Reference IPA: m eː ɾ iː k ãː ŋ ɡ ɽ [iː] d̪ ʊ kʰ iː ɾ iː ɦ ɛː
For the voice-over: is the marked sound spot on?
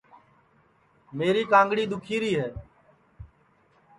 yes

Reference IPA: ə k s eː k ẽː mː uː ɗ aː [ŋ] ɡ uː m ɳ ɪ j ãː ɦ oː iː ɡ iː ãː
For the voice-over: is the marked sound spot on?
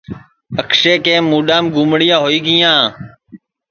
no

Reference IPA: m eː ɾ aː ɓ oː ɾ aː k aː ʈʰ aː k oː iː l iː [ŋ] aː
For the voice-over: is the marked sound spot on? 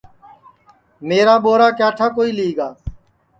no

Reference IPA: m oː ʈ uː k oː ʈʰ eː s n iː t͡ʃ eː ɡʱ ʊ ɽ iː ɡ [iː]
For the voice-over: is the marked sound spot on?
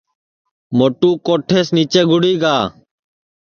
no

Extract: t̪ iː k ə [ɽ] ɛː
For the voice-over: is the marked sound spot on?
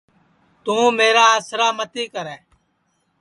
no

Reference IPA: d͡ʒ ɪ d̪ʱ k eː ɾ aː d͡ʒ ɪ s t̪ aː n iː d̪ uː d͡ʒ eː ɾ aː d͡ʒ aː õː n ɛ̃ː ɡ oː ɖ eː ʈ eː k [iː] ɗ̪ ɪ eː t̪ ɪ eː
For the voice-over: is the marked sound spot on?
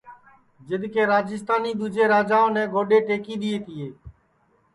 yes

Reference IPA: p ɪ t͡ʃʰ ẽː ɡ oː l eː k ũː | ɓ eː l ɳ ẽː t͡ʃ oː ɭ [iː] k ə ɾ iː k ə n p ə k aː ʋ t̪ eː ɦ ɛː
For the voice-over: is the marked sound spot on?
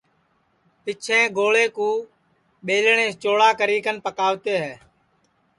no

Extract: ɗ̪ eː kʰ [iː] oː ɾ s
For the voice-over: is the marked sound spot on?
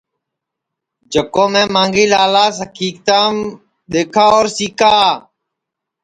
no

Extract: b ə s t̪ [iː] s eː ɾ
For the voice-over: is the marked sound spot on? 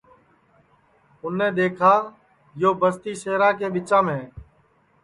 yes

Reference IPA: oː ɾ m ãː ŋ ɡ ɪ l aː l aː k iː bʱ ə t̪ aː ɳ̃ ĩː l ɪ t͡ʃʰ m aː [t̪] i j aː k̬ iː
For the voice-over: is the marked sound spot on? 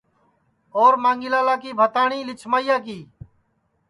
no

